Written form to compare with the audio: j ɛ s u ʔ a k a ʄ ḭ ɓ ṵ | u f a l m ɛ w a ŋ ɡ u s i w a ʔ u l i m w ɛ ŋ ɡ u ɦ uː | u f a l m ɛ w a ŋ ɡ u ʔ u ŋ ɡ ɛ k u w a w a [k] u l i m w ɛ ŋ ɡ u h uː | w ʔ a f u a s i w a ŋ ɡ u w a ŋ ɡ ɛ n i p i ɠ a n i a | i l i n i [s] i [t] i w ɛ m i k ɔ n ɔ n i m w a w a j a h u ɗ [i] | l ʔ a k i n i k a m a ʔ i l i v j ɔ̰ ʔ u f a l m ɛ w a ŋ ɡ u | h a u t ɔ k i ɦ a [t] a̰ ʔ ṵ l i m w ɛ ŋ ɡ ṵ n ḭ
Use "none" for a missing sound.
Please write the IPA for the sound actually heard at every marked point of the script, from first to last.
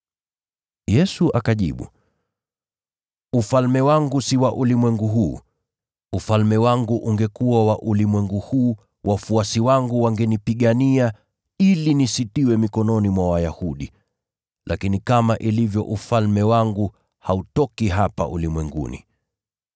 ʔ, s, t, i, p

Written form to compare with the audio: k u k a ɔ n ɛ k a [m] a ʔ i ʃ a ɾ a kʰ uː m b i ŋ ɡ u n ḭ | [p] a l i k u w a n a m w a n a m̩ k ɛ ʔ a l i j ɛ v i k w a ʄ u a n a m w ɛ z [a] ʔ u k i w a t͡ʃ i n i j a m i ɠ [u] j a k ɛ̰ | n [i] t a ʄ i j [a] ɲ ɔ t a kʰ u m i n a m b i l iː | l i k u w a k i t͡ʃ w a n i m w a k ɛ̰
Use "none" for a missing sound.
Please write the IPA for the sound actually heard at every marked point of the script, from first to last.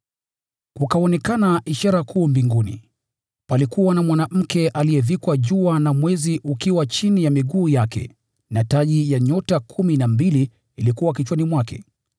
n, p, i, uː, a, a

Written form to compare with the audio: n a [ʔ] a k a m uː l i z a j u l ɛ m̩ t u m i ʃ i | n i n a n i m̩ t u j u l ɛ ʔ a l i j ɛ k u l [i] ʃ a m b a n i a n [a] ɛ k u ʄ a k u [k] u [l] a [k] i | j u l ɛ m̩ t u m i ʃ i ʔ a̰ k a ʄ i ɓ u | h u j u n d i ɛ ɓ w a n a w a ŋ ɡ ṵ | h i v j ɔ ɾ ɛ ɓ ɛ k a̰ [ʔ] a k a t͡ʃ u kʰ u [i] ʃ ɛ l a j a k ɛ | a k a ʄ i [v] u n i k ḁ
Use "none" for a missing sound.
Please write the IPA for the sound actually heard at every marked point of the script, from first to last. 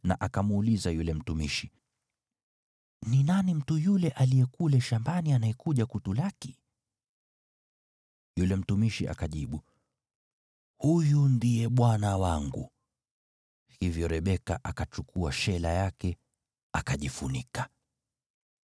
ʔ, ɛ, a, t, l, k, ʔ, a, f

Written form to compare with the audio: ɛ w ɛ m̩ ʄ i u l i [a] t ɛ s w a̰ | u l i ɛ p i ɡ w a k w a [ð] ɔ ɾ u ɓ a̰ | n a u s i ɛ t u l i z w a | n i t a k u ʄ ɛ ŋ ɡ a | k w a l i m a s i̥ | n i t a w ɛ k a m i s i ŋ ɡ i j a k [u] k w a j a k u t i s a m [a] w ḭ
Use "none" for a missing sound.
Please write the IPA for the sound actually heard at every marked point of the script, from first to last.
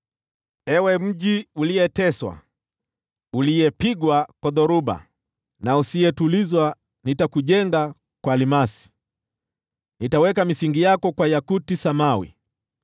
ɛ, ð, ɔ, a

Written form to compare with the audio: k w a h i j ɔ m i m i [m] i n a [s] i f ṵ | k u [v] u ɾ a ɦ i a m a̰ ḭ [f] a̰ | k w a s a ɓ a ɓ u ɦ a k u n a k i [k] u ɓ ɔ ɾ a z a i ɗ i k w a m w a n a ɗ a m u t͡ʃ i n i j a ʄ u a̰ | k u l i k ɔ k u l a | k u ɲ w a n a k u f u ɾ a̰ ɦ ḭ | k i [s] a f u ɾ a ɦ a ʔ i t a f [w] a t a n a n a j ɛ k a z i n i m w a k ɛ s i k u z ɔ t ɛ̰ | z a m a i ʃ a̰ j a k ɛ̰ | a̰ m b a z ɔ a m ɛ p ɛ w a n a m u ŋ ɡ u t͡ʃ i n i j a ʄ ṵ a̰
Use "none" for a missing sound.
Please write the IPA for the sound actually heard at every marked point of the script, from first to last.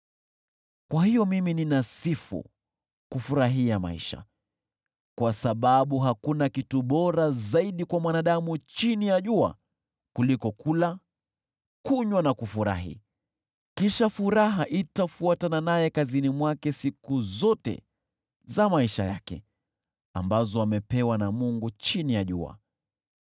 n, s, f, ʃ, t, ʃ, u

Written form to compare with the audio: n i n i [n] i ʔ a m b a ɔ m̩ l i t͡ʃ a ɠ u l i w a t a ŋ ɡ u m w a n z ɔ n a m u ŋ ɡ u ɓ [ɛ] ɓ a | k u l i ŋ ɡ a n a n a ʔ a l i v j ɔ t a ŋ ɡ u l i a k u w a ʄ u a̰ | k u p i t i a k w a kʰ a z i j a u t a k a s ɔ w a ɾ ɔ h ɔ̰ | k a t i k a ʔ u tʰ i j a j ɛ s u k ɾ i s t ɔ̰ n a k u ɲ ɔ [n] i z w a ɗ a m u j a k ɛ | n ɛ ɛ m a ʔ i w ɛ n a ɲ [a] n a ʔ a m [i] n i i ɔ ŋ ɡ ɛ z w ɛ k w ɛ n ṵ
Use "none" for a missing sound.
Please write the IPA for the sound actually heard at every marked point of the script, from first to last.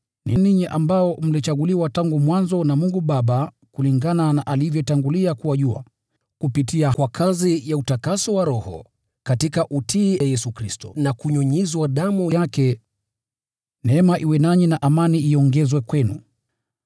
ɲ, a, ɲ, i, a

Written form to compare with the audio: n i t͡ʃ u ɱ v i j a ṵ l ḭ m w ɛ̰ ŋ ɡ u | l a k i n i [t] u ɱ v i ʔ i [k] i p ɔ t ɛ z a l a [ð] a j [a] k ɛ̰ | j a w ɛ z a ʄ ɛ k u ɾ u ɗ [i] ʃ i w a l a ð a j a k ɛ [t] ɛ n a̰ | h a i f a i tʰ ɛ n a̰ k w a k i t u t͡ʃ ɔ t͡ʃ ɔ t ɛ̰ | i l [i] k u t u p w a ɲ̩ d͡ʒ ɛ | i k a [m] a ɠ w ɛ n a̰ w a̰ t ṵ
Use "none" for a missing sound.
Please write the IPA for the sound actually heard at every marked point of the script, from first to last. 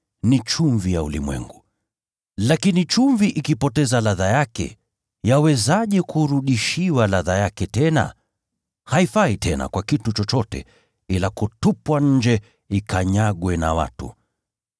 t͡ʃ, k, ð, a, i, t, a, ɲ

